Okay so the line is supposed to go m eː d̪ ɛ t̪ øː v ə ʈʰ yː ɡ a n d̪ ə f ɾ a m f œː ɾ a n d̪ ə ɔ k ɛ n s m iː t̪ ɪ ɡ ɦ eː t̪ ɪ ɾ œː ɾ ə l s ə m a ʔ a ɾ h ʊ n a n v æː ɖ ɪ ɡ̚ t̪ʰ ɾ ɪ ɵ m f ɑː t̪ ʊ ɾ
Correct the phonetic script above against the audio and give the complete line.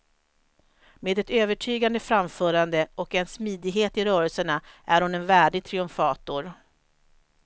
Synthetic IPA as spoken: m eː d̪ ɛ t̪ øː v ə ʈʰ yː ɡ a n d̪ ə f ɾ a m f œː ɾ a n d̪ ə ɔ k ɛ n s m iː d̪ ɪ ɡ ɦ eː t̪ ɪ ɾ œː ɾ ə l s ə ɳ a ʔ æ ɾ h ʊ n ɛ n v æː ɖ ɪ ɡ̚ t̪ʰ ɾ ɪ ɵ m f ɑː t̪ ʊ ɾ